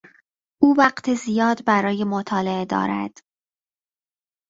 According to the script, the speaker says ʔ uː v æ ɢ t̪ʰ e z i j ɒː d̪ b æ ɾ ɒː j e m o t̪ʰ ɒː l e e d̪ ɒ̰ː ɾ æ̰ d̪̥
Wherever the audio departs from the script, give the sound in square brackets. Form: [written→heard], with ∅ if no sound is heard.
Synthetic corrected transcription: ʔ uː v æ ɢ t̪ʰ e z i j ɒː d̪ b æ ɾ ɒː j e m o t̪ʰ ɒː l e e d̪ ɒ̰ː ɾ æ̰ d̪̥